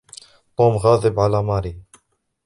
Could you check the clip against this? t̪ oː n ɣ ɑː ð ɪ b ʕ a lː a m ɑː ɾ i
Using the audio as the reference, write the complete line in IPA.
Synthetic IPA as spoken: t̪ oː m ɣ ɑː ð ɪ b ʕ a l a m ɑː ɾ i

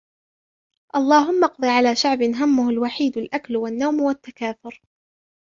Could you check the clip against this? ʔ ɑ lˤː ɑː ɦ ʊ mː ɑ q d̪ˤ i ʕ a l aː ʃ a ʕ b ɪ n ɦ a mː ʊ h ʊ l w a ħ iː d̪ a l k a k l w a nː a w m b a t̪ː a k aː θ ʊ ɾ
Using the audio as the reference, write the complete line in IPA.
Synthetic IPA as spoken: ʔ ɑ lˤː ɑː ɦ ʊ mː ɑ q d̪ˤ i ʕ a l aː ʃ a ʕ b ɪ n ɦ a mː ʊ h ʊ l w a ħ iː d̪ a l ʔ a k l w a nː a w m w a t̪ː a k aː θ ʊ ɾ

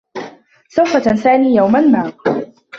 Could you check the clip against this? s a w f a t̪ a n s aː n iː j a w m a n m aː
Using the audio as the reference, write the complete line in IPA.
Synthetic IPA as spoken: s a w f a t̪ a n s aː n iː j a w m a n m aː

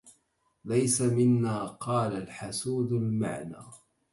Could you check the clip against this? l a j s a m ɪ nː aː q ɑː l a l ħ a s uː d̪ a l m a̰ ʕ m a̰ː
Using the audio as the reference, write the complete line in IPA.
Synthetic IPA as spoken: l a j s a m ɪ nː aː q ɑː l a l ħ a s uː d̪ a l m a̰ ʕ n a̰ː

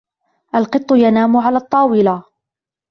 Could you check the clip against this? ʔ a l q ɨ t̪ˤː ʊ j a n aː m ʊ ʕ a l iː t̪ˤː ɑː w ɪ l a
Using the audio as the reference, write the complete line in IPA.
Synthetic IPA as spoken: ʔ a l q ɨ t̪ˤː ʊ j a n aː m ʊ ʕ a l aː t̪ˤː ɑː w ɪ l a

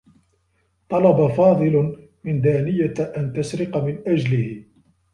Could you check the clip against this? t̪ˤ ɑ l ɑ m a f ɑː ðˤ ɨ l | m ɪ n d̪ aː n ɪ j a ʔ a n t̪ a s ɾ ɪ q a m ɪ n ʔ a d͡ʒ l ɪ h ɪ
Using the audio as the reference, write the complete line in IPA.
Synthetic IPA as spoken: t̪ˤ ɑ l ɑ b a f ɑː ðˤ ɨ l | m ɪ n d̪ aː n ɪ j a ʔ a n t̪ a s ɾ ɪ q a m ɪ n ʔ a d͡ʒ l ɪ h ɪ

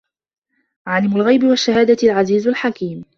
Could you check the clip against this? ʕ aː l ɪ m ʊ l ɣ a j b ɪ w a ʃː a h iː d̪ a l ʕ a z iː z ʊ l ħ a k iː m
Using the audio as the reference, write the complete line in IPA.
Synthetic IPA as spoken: ʕ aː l ɪ m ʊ l ɣ a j b ɪ w a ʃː a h aː d̪ a l ʕ a z iː z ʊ l ħ a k iː m

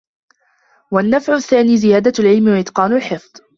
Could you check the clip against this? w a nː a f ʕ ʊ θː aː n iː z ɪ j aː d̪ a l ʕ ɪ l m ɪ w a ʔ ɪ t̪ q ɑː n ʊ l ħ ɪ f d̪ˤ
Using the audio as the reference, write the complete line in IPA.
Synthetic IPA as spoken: w a nː a f ʕ ʊ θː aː n iː z ɪ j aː d̪ a l ʕ ɪ l m ɪ w a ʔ ɪ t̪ q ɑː n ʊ l ħ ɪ f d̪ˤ

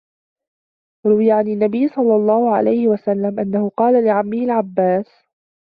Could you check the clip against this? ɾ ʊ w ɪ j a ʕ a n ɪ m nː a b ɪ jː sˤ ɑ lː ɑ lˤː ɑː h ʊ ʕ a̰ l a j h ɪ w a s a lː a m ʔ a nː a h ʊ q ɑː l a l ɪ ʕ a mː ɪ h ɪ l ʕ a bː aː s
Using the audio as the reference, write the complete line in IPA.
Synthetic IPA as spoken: ɾ ʊ w ɪ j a ʕ a n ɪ nː a b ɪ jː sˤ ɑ lː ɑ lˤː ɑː h ʊ ʕ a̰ l a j h ɪ w a s a lː a m ʔ a nː a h ʊ q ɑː l a l ɪ ʕ a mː ɪ h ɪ l ʕ a bː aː s

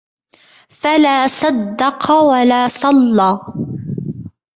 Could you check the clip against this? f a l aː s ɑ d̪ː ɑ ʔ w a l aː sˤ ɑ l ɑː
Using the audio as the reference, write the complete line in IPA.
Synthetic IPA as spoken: f a l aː s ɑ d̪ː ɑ q w a l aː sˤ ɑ lː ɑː

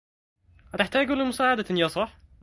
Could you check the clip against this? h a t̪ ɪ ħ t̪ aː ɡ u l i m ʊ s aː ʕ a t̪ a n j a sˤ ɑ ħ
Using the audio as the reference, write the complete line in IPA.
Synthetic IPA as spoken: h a t̪ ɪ ħ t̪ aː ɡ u l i m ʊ s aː ʕ a d̪ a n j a sˤ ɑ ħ

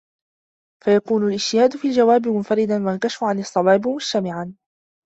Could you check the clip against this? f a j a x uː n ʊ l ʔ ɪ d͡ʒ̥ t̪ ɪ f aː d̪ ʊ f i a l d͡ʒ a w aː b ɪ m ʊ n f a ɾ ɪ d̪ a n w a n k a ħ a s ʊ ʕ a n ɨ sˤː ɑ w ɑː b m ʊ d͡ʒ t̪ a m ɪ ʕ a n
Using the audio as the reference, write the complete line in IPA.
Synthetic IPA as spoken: f a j a k uː n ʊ l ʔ ɪ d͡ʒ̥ t̪ ɪ h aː d̪ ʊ f i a l d͡ʒ a w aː b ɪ m ʊ n f a ɾ ɪ d̪ a n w a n k a ʃ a f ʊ ʕ a n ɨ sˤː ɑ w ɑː b m ʊ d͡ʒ t̪ a m ɪ ʕ a n

